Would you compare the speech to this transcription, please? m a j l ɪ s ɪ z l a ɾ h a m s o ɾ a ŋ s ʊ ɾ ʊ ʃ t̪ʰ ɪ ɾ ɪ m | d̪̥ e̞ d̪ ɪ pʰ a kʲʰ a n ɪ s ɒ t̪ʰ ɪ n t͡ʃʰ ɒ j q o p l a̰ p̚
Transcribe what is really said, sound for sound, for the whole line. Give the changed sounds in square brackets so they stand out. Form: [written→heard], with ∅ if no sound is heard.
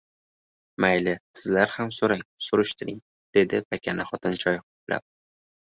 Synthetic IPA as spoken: m a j l ɪ s ɪ z l a ɾ h a m s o ɾ a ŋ s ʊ ɾ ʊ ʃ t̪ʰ ɪ ɾ ɪ [m→ŋ] | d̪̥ e̞ d̪ ɪ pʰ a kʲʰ a n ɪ [s→χ] ɒ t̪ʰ ɪ n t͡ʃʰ ɒ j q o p l a̰ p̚